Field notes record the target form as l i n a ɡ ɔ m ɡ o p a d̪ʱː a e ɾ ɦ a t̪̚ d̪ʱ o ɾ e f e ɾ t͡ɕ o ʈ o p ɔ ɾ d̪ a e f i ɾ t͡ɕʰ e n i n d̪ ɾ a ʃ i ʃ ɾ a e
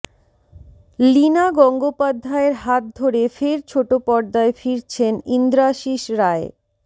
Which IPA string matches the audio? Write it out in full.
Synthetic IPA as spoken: l i n a ɡ ɔ ŋ ɡ o p a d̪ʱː a e ɾ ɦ a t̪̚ d̪ʱ o ɾ e f e ɾ t͡ɕʰ o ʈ o p ɔ ɾ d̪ a e f i ɾ t͡ɕʰ e n i n d̪ ɾ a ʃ i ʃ ɾ a e